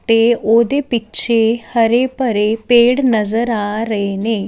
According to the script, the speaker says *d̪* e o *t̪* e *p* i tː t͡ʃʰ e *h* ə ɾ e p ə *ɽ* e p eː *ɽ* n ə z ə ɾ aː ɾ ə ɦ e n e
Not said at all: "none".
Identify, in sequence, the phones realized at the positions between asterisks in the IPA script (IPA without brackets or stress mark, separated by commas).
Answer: t̪, d̪, p, h, ɾ, ɽ